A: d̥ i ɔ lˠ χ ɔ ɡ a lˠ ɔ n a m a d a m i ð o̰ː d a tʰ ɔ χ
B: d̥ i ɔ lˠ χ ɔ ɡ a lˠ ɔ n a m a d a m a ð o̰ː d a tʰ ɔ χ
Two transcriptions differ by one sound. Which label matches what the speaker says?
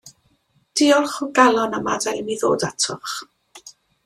A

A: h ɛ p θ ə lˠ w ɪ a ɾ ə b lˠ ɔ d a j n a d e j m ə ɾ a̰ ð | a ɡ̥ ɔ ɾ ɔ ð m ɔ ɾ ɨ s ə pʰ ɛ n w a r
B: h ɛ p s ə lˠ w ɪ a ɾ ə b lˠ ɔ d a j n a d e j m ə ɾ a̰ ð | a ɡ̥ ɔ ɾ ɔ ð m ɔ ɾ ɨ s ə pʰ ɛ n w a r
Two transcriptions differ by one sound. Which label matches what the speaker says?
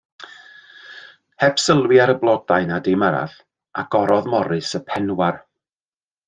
B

